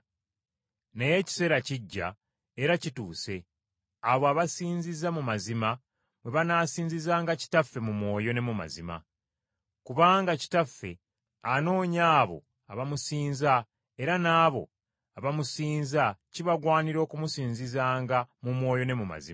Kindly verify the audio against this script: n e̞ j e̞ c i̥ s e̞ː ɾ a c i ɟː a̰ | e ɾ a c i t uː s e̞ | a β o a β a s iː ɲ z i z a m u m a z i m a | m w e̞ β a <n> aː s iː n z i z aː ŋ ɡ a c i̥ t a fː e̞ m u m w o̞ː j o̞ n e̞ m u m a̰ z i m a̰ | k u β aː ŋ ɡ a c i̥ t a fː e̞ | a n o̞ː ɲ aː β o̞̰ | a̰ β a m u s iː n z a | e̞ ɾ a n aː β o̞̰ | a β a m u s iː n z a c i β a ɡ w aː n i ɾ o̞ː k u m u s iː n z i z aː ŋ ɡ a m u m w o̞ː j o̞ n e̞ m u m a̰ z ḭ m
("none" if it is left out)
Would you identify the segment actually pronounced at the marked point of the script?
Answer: n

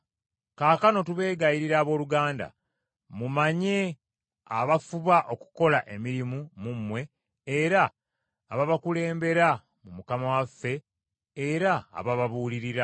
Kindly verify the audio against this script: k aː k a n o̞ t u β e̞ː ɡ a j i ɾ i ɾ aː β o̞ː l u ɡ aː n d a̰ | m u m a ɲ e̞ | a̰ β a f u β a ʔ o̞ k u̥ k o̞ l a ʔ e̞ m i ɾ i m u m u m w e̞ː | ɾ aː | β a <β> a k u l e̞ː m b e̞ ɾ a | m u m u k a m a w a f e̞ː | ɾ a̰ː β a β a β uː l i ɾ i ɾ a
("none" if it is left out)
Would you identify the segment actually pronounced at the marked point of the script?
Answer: β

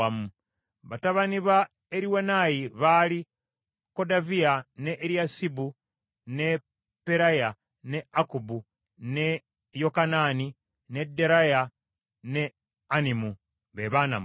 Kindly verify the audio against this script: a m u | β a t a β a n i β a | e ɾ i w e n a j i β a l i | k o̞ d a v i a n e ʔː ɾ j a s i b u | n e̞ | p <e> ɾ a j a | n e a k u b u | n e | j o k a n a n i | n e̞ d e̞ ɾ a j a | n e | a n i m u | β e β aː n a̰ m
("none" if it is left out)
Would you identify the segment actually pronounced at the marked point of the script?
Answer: e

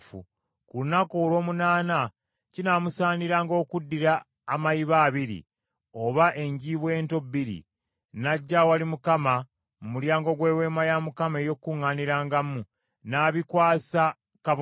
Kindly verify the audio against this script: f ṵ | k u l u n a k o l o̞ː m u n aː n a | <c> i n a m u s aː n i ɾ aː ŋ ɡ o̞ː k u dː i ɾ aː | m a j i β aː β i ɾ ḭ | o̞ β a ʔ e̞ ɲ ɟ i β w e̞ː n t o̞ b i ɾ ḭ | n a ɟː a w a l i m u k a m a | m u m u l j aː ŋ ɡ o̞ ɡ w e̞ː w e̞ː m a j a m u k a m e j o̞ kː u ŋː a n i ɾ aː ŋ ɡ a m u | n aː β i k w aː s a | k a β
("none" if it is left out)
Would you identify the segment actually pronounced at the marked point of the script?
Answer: c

